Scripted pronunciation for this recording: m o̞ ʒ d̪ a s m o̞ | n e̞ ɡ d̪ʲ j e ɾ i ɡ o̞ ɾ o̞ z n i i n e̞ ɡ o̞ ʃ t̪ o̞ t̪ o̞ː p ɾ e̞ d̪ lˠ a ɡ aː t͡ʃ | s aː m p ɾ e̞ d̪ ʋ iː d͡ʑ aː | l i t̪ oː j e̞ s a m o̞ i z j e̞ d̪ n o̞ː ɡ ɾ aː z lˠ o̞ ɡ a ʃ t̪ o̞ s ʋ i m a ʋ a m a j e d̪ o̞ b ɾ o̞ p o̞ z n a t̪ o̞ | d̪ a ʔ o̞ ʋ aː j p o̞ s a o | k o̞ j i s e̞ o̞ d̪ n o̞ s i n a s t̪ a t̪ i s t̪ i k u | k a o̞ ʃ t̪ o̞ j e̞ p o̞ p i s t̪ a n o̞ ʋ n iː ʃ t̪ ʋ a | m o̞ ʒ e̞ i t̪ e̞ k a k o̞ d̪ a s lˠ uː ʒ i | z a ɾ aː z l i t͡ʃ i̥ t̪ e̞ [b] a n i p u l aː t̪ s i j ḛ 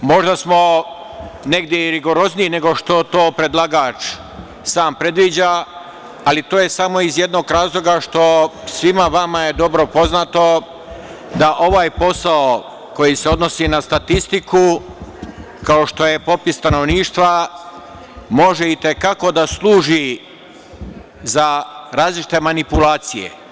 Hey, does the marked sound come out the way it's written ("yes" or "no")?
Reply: no